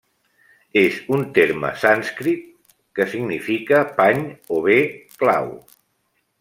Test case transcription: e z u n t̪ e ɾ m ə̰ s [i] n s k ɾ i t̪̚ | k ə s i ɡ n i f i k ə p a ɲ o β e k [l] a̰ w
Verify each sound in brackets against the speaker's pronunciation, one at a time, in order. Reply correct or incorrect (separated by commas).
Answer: incorrect, correct